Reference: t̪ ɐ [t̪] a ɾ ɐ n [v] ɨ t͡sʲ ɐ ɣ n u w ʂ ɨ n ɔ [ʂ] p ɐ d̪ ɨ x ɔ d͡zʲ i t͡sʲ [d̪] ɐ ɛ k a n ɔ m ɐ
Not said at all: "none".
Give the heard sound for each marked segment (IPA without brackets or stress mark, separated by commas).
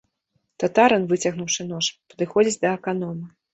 t̪, v, ʂ, d̪